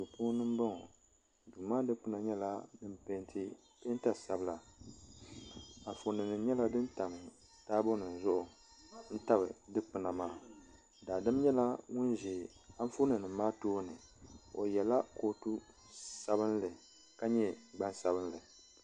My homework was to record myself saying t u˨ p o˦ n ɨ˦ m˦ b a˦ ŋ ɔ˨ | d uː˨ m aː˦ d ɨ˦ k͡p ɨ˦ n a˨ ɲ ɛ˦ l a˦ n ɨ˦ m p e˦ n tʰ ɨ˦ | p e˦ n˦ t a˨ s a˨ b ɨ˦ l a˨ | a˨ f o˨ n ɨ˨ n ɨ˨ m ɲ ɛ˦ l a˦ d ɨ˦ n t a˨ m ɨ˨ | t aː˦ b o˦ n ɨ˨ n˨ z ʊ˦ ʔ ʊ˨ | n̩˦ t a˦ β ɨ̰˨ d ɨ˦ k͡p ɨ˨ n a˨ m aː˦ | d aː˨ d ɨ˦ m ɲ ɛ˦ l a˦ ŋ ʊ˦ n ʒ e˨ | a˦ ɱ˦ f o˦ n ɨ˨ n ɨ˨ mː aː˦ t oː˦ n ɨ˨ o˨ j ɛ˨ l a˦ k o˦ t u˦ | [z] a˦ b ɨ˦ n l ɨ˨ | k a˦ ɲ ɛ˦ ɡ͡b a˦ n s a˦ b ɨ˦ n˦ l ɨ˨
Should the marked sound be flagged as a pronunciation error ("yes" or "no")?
yes